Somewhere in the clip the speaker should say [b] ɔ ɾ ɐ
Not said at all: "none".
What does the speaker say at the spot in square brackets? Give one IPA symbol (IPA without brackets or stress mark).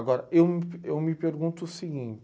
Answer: ɡ